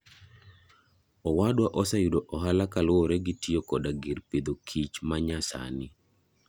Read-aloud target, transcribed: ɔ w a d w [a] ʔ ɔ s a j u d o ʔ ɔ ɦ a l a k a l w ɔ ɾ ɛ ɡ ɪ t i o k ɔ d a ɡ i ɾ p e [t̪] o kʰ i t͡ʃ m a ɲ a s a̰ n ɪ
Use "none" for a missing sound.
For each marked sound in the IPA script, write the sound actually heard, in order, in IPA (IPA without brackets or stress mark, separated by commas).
a, d̪